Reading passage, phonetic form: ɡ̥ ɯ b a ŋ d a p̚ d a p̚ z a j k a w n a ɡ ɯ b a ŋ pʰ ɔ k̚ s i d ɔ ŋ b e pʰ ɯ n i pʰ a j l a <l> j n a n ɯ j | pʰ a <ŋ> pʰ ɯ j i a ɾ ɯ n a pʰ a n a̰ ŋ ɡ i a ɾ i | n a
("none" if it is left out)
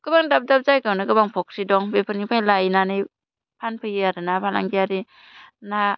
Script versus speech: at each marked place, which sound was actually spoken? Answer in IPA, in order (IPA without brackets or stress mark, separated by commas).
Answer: none, n